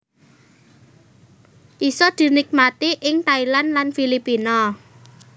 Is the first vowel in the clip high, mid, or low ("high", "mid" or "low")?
high